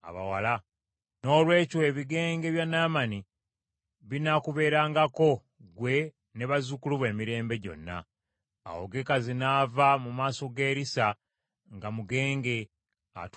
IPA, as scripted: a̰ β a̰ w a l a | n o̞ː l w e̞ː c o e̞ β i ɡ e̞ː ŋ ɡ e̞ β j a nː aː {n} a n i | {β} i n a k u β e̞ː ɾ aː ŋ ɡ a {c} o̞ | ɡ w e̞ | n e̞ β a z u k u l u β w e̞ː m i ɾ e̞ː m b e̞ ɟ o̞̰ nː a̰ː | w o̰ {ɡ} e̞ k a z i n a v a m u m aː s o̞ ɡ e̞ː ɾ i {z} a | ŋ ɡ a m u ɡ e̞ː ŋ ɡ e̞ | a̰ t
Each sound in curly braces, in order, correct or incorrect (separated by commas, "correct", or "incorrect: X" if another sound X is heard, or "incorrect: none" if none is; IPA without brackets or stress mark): incorrect: m, correct, incorrect: k, correct, incorrect: s